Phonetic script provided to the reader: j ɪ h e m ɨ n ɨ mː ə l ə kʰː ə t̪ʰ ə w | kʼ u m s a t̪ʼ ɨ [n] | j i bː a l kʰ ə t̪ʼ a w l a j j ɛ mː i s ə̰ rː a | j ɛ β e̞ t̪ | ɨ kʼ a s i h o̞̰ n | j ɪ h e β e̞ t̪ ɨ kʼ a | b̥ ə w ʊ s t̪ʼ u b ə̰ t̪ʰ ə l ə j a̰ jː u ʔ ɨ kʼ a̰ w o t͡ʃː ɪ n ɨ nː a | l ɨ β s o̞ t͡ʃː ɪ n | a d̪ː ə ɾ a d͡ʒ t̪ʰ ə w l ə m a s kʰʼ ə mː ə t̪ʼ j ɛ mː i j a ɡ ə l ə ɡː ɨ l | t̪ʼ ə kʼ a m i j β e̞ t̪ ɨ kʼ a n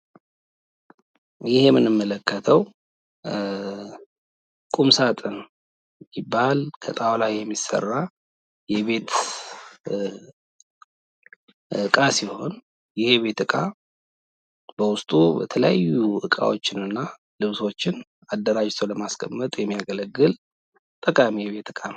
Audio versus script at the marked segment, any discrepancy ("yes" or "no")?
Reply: no